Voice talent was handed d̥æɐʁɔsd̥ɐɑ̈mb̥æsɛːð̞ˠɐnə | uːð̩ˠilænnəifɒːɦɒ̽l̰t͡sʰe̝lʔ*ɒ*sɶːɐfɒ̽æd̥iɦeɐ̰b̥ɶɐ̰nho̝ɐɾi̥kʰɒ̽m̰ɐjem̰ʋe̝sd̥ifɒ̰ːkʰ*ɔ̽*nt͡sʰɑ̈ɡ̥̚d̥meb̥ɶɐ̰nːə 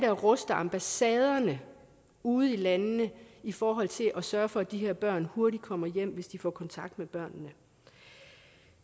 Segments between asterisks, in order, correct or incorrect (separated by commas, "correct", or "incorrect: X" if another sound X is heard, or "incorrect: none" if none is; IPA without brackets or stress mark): correct, incorrect: ɒ̽